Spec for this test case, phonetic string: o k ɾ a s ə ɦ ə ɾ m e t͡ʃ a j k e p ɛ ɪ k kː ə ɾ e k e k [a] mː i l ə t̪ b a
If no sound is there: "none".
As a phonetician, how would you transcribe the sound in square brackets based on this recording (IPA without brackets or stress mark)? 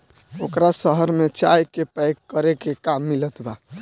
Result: a